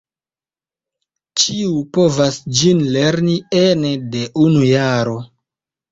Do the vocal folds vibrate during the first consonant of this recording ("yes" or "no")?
no